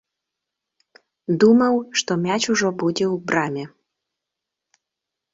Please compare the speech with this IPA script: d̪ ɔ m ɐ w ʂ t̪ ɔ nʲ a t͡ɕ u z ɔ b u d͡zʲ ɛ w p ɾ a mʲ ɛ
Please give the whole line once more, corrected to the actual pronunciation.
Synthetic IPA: d̪ u m ɐ w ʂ t̪ ɔ mʲ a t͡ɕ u ʐ ɔ b u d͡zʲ ɛ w b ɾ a mʲ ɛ